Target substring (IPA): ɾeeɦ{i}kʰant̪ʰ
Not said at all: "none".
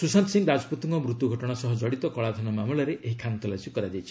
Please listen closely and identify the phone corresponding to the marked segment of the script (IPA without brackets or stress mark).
i